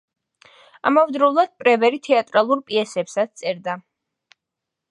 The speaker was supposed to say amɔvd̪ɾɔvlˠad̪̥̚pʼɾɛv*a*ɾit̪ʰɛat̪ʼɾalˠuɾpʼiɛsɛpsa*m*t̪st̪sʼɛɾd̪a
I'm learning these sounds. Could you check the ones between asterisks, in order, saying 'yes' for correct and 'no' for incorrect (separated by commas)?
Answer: no, no